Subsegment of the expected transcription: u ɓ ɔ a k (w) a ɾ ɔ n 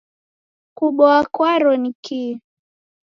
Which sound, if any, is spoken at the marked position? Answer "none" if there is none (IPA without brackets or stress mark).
w